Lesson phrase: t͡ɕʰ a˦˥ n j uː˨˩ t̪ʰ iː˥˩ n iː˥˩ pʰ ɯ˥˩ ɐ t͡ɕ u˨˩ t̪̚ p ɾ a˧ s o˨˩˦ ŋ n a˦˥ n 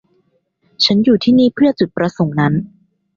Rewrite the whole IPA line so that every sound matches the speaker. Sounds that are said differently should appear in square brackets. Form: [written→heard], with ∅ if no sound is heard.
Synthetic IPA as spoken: t͡ɕʰ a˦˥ n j uː˨˩ t̪ʰ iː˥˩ n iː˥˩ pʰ ɯ˥˩ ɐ t͡ɕ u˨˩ t̪̚ p ɾ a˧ s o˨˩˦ ŋ n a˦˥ n